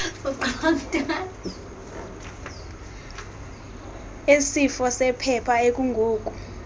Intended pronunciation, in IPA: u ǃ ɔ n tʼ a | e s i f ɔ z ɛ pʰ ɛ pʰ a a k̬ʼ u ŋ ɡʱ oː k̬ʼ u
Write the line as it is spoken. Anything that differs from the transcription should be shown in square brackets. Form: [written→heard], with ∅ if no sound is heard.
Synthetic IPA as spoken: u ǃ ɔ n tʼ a | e s i f ɔ [z→s] ɛ pʰ ɛ pʰ a [a→e] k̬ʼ u ŋ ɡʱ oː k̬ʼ u